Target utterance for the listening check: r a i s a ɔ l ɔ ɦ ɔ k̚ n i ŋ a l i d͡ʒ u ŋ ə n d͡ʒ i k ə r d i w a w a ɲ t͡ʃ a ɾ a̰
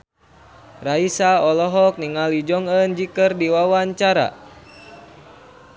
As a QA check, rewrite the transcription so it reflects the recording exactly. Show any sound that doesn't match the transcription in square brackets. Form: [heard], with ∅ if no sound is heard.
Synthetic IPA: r a i s a ɔ l ɔ ɦ ɔ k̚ n i ŋ a l i d͡ʒ [ɔ] ŋ ə n d͡ʒ i k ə r d i w a w a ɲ t͡ʃ a ɾ a̰